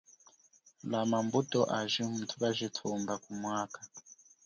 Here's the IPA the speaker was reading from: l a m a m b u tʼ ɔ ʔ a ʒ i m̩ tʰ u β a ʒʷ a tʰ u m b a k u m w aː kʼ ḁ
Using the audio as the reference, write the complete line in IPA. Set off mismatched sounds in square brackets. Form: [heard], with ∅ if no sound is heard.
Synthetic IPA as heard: l a m a m b u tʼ ɔ ʔ a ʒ i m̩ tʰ u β a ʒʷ [i] tʰ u m b a k u m w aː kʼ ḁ